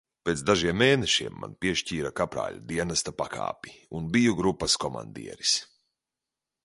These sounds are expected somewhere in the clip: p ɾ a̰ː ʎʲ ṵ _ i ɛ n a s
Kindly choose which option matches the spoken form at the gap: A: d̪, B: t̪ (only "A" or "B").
A